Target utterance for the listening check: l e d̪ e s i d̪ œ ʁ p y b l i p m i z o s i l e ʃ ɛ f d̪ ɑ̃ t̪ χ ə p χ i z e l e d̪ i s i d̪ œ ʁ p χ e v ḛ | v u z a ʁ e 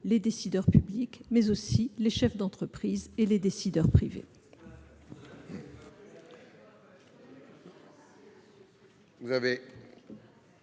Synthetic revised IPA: l e d̪ e s i d̪ œ ʁ p y b l i k m ɛ z o s i l e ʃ ɛ f d̪ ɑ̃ t̪ χ ə p χ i z e l e d̪ e s i d̪ œ ʁ p χ i v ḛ | v u z a v e